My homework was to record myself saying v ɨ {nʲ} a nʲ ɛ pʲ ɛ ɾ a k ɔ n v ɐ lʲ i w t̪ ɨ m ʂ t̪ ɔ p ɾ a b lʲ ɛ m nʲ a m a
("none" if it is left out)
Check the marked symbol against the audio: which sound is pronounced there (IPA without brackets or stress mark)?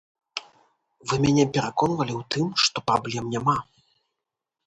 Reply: mʲ